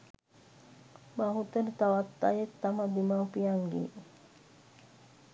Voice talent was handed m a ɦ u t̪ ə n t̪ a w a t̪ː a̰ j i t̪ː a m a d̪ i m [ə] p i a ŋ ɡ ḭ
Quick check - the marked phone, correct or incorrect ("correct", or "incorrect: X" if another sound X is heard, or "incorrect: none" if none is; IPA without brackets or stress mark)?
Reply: incorrect: a